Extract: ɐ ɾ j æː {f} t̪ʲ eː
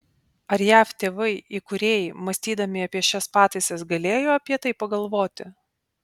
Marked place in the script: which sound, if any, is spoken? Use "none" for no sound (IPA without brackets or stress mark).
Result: f